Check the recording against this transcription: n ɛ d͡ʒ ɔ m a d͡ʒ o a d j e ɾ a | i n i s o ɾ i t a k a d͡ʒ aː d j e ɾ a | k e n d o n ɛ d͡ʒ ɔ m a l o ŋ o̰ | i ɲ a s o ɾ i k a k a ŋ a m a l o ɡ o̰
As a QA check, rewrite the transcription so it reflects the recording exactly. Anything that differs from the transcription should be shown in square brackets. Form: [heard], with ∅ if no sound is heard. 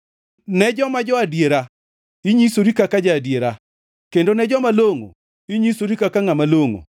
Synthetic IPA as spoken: n ɛ d͡ʒ ɔ m a d͡ʒ [ɔ] a d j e ɾ a | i [ɲ] i s o ɾ i [k] a k a d͡ʒ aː d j e ɾ a | k e n d o n ɛ d͡ʒ ɔ m a l o ŋ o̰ | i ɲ [i] s o ɾ i k a k a ŋ a m a l o [ŋ] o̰